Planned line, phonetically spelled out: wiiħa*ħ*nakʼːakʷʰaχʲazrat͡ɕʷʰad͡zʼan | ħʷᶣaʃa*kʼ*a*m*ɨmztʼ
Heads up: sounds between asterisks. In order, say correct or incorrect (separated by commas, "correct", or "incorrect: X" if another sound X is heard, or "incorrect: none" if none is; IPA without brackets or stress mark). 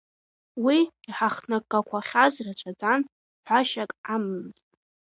incorrect: χ, correct, correct